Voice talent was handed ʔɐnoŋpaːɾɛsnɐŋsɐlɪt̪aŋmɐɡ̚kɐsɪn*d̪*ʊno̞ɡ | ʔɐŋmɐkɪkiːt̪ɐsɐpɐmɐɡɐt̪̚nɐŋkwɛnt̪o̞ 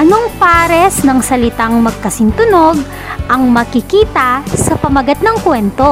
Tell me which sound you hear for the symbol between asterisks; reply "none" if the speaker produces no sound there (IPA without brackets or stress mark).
t̪